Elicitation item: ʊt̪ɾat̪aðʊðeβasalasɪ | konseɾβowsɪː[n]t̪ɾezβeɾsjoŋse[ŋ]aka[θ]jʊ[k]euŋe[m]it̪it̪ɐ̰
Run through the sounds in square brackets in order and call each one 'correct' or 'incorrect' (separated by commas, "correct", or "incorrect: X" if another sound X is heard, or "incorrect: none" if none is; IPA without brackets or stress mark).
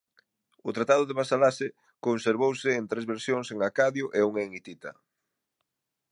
correct, correct, incorrect: ð, incorrect: ʔ, incorrect: ŋ